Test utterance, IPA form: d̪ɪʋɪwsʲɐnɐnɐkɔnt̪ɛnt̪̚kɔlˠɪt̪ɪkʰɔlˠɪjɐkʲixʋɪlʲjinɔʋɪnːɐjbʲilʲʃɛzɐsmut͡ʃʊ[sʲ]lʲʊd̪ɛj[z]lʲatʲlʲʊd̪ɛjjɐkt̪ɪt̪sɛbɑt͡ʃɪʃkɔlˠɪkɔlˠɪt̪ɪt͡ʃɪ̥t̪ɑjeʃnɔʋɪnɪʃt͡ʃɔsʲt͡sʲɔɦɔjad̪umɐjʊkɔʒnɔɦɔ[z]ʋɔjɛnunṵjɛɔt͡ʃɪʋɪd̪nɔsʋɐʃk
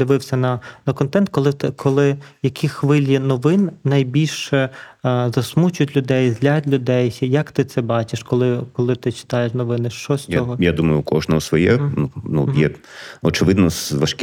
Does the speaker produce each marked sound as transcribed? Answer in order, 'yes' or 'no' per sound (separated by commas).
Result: no, yes, no